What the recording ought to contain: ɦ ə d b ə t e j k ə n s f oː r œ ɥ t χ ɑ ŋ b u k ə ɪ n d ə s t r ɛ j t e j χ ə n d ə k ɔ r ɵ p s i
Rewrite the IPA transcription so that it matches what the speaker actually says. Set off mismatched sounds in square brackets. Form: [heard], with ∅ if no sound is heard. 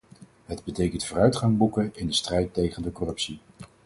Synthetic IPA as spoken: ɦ ə d b ə t e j k ə n [t] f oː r œ ɥ t χ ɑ ŋ b u k ə ɪ n d ə s t r ɛ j t e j χ ə n d ə k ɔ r ɵ p s i